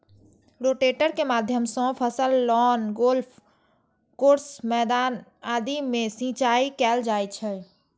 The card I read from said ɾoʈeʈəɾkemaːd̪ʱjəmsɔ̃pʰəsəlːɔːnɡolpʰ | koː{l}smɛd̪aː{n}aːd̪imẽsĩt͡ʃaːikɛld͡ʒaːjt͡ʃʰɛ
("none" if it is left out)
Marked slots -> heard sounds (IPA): ɾ, n

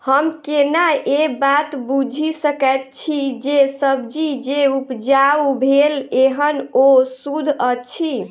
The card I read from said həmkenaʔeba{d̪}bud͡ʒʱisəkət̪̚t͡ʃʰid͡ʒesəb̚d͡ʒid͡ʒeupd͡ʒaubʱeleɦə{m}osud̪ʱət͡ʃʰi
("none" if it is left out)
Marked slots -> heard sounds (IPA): t̪, n

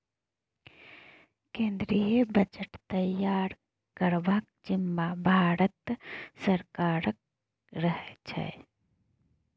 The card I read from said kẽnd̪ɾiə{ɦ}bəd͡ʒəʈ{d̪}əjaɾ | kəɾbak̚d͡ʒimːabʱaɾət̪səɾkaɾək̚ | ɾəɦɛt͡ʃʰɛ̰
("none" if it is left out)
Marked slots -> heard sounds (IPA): none, t̪

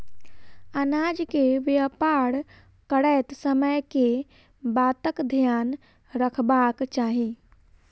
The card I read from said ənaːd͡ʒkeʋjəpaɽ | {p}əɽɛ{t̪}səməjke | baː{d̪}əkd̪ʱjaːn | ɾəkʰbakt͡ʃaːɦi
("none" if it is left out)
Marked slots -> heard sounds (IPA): k, t̪, t̪

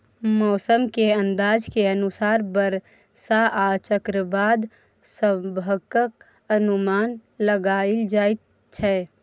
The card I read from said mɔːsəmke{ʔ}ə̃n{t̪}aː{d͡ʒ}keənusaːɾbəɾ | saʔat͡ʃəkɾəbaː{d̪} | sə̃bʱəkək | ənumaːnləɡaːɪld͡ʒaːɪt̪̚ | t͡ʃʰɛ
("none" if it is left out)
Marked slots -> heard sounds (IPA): none, d̪, d͡ʒ, d̪

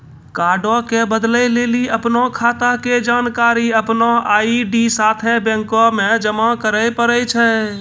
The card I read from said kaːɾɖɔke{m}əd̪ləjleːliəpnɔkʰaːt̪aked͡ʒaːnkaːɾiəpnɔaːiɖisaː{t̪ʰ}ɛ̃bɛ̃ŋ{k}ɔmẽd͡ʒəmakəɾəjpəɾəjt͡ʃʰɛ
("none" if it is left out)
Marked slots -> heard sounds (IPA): b, t̪ʰ, k

